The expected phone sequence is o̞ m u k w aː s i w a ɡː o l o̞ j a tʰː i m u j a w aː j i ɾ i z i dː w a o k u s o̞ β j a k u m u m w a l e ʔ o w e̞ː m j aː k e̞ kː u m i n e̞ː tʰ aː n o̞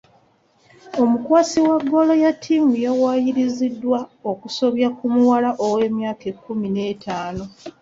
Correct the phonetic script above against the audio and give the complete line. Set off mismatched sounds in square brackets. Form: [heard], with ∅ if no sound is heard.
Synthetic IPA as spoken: o̞ m u k w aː s i w a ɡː o l o̞ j a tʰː i m u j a w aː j i ɾ i z i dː w a o k u s o̞ β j a k u m u [∅] w a l [a] ʔ o w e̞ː m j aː k e̞ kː u m i n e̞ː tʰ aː n o̞